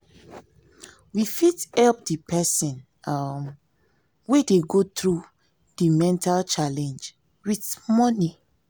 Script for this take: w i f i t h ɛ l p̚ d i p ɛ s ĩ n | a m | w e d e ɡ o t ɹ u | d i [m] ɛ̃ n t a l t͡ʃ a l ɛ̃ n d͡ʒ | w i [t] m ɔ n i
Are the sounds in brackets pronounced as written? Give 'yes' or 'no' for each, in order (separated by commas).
yes, yes